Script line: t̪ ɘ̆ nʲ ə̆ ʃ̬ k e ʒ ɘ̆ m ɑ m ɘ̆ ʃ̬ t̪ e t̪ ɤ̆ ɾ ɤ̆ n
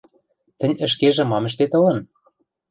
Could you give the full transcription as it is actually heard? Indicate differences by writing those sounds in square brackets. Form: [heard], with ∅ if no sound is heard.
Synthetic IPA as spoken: t̪ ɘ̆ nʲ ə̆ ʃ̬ k e ʒ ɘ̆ m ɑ m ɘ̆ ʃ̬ t̪ e t̪ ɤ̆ [l] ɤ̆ n